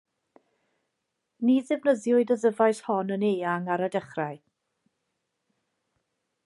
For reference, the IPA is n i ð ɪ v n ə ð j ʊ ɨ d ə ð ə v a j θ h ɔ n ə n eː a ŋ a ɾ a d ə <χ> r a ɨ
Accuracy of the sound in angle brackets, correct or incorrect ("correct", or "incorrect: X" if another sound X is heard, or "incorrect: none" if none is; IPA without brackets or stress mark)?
correct